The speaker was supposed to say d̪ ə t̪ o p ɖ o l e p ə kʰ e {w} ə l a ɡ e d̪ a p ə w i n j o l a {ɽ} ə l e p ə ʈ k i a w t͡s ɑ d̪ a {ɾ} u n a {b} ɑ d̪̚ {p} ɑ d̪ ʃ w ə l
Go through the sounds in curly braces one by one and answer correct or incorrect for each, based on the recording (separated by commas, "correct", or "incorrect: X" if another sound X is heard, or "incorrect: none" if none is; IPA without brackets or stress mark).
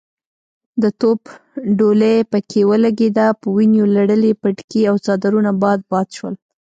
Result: correct, correct, correct, correct, incorrect: b